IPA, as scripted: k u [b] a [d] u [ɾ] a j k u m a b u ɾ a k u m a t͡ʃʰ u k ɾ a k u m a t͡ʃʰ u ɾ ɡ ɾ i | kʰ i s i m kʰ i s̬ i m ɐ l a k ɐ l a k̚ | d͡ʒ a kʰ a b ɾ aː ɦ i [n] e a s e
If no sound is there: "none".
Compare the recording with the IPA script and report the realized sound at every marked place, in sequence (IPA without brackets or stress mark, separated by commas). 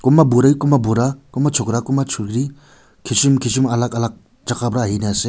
m, b, ɾ, n